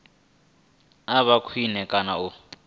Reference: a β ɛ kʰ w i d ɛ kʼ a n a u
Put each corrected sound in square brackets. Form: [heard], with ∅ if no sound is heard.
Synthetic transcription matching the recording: a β [a] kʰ w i [n] ɛ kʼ a n a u